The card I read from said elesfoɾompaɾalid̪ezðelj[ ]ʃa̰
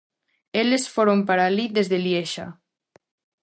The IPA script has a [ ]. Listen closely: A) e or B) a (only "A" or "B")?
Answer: A